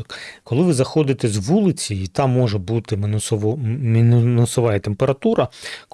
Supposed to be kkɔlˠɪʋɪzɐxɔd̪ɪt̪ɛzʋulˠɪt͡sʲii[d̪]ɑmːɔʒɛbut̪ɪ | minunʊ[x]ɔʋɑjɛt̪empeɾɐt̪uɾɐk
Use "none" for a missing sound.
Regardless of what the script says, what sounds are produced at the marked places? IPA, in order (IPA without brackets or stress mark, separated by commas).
t̪, s